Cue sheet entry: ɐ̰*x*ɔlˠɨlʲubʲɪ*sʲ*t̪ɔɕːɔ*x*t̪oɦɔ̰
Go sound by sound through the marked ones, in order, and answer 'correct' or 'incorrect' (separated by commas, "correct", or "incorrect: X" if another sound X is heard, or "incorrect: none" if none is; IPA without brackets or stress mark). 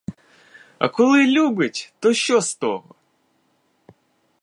incorrect: k, incorrect: tʲ, incorrect: s